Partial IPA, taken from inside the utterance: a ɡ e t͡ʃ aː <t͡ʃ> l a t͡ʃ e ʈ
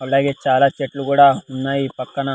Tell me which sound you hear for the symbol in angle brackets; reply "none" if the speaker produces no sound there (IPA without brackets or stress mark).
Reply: none